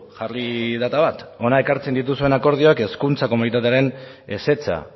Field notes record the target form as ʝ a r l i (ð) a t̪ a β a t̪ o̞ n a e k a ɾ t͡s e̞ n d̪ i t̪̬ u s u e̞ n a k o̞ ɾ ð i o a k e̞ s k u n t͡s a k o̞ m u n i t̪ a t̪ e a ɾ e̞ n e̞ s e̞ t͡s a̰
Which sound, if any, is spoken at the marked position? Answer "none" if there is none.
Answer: ð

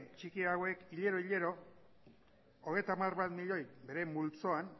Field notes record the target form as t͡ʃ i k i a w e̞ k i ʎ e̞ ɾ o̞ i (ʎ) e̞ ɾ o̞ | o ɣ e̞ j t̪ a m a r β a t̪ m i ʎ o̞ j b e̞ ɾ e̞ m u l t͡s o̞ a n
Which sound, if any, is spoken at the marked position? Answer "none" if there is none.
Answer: ʎ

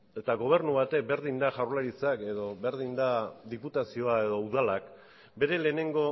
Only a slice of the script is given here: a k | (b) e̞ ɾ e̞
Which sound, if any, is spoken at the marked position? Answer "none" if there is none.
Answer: b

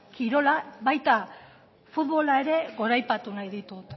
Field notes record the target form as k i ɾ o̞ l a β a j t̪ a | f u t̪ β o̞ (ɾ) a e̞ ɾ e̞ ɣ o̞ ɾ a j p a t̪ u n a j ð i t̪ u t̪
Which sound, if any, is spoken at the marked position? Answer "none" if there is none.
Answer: l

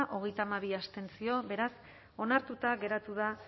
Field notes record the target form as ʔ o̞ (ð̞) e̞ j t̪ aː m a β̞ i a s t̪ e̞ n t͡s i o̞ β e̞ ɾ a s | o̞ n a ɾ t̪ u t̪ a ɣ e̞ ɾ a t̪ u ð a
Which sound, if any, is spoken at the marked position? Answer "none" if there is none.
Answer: ɣ̞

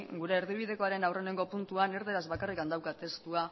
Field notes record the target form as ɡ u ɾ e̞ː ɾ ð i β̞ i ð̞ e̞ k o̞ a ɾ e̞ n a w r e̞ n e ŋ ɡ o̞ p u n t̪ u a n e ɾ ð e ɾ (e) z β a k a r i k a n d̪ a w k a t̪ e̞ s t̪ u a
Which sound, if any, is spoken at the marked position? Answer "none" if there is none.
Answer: a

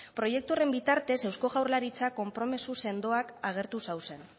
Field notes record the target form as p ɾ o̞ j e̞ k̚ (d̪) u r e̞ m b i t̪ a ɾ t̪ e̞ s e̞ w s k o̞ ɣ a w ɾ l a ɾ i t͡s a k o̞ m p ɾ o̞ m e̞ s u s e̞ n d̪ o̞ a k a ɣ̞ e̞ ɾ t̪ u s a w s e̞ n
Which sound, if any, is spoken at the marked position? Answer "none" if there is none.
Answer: t̪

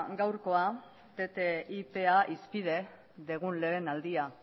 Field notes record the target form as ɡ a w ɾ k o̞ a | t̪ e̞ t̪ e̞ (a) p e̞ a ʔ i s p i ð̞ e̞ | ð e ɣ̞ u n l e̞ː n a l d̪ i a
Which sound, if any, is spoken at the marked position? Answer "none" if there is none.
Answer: i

